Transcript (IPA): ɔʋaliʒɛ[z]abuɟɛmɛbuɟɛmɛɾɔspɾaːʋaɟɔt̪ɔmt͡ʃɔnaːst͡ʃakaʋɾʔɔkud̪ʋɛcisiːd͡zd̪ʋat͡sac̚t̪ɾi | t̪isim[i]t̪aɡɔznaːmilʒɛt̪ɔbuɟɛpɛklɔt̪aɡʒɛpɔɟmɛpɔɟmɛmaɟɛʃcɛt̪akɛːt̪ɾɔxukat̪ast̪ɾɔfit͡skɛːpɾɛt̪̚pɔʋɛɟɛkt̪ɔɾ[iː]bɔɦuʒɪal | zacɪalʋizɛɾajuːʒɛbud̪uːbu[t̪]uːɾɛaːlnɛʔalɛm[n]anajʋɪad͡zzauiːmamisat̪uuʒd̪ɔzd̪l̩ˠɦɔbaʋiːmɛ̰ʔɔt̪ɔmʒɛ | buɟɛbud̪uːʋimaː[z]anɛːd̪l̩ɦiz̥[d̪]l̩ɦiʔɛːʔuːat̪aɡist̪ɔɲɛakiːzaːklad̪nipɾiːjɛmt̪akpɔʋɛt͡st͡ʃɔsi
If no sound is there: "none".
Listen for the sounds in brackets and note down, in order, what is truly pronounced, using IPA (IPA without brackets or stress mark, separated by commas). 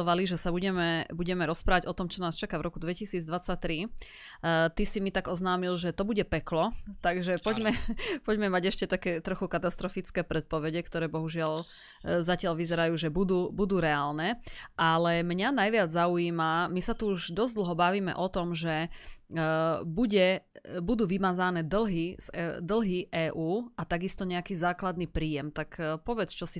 s, i, ɛː, d̪, ɲ, z, d̪